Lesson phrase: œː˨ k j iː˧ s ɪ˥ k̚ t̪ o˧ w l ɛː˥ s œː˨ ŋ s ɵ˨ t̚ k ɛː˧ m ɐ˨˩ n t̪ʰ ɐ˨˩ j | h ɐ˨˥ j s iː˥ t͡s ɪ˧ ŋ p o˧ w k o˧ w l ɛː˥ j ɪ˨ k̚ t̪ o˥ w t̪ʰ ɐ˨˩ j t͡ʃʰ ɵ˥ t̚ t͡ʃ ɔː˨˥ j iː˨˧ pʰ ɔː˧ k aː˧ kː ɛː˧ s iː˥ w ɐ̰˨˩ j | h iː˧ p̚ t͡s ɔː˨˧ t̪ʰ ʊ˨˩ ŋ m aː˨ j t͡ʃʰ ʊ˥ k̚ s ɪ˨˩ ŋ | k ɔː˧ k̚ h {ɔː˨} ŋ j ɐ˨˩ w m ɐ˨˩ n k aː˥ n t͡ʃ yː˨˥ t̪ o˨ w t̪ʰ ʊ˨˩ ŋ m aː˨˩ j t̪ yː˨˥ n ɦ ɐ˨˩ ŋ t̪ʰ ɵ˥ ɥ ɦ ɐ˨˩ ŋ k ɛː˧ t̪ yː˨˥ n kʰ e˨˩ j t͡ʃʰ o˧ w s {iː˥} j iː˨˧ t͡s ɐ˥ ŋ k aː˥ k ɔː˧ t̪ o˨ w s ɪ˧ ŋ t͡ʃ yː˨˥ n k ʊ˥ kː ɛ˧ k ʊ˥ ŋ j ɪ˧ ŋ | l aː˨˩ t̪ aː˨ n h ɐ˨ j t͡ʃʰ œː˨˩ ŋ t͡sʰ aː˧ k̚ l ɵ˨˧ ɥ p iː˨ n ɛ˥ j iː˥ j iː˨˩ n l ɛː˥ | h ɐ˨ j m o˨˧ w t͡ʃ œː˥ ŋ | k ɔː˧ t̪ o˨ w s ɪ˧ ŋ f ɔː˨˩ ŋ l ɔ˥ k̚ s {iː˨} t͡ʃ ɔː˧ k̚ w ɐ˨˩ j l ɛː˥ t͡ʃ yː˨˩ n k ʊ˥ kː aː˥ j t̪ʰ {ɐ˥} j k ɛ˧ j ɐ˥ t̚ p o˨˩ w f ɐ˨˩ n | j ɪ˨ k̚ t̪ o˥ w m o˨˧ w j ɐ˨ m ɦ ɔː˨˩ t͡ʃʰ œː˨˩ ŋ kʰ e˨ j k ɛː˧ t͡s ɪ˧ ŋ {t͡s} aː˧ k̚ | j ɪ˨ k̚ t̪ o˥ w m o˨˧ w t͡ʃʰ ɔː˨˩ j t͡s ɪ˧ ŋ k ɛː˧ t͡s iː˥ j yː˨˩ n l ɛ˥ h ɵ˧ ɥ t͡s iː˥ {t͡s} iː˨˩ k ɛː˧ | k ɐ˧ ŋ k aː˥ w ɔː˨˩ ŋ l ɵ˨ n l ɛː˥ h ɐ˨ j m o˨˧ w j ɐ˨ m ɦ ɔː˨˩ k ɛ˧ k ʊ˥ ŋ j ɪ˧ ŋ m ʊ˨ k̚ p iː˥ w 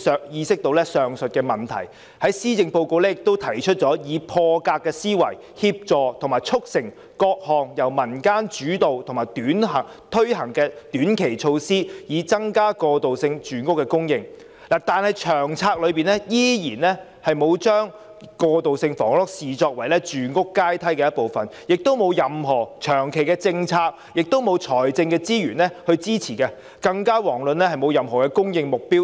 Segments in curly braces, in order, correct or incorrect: correct, correct, correct, correct, incorrect: t͡sʰ, incorrect: t͡sʰ

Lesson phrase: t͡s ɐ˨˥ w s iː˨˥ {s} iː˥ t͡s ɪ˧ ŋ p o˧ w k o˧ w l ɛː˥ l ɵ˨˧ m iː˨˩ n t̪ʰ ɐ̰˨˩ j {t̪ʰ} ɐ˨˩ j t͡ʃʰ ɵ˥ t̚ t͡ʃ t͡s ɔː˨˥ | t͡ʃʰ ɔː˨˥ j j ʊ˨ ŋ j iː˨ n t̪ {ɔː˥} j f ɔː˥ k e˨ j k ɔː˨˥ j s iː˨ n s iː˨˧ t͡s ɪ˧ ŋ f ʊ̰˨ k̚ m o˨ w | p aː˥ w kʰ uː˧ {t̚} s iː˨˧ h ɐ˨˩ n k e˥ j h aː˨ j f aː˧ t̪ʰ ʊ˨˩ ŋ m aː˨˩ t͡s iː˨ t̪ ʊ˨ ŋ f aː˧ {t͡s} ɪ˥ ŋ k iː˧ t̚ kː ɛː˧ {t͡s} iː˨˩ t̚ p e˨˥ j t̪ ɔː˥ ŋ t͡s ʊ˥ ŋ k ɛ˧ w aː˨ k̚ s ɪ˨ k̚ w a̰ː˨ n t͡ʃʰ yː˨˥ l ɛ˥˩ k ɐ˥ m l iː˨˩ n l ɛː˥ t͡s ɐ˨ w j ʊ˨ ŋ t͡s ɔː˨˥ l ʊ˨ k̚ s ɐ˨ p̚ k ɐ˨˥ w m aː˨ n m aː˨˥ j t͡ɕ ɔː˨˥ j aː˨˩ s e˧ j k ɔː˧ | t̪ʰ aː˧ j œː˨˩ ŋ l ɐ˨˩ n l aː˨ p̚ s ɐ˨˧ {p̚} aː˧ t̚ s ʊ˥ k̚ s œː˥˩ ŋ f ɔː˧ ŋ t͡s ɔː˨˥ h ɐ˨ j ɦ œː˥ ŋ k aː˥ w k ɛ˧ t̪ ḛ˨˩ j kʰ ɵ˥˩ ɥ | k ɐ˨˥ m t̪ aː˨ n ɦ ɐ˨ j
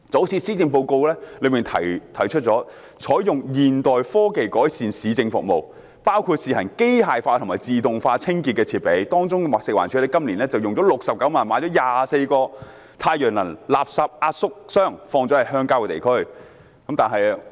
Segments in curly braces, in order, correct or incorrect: correct, correct, incorrect: ɔː˨, correct, incorrect: t͡sʰ, incorrect: t͡sʰ, correct

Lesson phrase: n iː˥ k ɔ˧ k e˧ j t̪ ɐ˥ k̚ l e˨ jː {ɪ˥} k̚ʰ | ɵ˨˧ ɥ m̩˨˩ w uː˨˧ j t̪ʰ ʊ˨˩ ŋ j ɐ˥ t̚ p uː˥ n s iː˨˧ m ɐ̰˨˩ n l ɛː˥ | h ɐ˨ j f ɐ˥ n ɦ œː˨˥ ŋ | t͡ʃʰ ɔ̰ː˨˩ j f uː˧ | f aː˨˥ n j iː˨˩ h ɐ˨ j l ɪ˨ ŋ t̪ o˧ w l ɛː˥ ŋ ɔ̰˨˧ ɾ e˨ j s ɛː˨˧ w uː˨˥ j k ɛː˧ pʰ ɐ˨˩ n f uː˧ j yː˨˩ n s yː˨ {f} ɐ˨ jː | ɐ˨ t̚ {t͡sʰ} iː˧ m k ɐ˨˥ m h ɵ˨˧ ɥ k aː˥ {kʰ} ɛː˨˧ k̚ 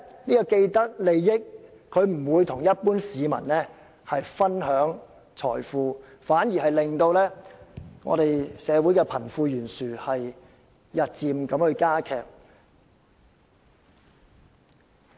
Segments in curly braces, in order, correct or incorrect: correct, incorrect: h, incorrect: t͡s, correct

